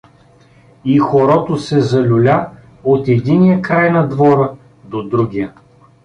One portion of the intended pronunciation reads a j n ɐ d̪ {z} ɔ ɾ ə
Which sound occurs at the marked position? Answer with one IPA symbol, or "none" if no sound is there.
v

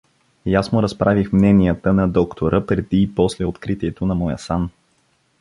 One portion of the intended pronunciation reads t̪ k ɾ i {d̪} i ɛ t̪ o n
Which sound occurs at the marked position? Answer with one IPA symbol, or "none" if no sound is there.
t̪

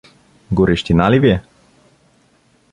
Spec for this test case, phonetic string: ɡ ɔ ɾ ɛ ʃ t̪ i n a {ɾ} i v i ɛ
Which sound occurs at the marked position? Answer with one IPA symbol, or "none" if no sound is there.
l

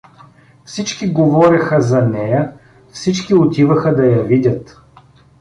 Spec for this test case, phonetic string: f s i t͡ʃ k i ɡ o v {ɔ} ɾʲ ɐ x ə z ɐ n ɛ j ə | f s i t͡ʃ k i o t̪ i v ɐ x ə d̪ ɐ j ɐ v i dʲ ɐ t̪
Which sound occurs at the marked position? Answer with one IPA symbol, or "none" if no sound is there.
ɔ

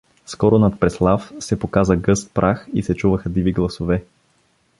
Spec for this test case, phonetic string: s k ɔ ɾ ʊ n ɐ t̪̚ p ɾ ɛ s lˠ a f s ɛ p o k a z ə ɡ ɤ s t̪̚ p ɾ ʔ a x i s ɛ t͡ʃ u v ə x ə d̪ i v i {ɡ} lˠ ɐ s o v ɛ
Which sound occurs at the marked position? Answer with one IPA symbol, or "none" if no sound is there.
ɡ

